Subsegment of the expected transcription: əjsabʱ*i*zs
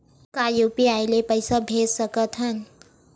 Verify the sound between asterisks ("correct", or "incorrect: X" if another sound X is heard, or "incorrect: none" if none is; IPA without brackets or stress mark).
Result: incorrect: e